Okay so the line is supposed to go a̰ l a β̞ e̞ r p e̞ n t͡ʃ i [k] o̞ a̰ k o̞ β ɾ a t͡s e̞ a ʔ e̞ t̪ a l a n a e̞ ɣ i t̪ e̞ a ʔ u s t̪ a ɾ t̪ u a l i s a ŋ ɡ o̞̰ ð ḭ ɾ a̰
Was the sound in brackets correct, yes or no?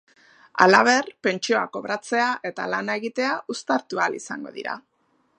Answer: no